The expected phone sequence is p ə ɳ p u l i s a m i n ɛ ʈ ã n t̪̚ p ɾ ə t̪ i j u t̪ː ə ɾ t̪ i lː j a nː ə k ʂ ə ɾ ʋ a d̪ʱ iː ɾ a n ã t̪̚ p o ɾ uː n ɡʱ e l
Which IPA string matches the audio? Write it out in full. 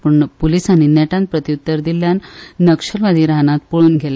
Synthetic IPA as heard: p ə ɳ p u l i s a n i n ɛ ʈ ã n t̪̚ p ɾ ə t̪ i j u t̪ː ə ɾ d̪ i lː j a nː ə k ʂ ə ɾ ʋ a d̪ʱ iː ɾ a n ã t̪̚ p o ɭ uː n ɡʱ e l